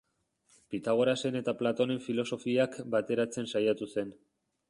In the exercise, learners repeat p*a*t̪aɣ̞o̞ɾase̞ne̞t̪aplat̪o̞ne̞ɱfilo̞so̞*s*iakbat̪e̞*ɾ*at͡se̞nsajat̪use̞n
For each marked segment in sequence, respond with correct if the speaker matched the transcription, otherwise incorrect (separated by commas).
incorrect, incorrect, correct